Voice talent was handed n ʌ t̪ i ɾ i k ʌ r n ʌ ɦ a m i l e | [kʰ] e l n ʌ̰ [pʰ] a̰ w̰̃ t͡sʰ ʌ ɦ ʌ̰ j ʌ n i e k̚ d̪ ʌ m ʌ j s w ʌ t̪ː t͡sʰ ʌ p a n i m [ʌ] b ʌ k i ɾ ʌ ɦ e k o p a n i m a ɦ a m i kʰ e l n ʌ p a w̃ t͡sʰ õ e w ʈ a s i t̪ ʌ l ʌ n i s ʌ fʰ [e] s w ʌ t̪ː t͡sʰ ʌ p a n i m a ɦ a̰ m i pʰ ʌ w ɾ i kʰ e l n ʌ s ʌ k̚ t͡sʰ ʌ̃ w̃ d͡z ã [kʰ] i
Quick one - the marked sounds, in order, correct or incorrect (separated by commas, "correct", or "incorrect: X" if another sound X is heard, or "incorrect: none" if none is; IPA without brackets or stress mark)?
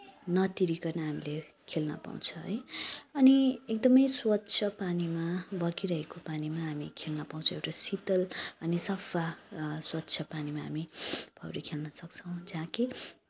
correct, incorrect: p, incorrect: a, incorrect: a, incorrect: k